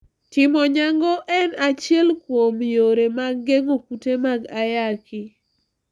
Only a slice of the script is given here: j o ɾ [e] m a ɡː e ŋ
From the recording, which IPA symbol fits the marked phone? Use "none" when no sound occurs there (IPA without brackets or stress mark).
e